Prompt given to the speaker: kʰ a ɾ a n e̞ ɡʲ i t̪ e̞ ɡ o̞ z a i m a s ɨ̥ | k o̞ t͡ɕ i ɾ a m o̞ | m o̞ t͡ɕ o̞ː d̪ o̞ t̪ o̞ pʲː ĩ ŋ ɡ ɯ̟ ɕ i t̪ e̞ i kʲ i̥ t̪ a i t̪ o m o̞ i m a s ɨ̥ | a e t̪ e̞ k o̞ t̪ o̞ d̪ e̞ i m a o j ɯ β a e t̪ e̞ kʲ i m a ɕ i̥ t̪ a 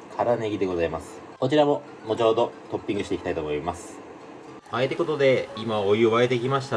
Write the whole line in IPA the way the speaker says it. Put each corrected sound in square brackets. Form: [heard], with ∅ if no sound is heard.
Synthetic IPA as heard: kʰ a ɾ a n e̞ ɡʲ i [d̪] e̞ ɡ o̞ z a i m a s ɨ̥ | k o̞ t͡ɕ i ɾ a m o̞ | m o̞ t͡ɕ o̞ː d̪ o̞ t̪ o̞ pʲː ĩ ŋ ɡ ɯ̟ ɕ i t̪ e̞ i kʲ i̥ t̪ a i t̪ o m o̞ i m a s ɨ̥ | a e t̪ e̞ k o̞ t̪ o̞ d̪ e̞ i m a o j ɯ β a e t̪ e̞ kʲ i m a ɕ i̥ t̪ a